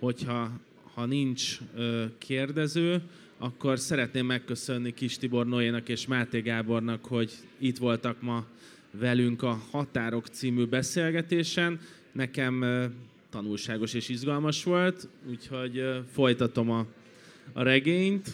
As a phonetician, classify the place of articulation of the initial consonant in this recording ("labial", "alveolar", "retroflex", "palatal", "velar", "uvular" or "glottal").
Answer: glottal